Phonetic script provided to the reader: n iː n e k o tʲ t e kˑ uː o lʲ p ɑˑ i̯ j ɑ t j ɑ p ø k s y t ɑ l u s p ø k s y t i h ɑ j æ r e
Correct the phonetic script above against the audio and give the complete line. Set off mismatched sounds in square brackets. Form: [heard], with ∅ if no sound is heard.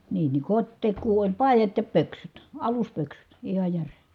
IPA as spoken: n iː n [i] k o tʲ t e kˑ uː o lʲ p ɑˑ i̯ j ɑ t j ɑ p ø k s y t ɑ l u s p ø k s y t i h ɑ j æ r e